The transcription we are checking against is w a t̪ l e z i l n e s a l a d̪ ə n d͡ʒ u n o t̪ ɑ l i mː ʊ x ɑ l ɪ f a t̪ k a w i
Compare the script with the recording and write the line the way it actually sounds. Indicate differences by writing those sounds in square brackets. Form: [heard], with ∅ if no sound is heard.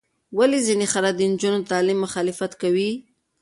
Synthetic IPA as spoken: w a [∅] l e z i [∅] n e [x] a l a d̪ ə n d͡ʒ u n o t̪ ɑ l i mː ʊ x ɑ l ɪ f a t̪ k a w i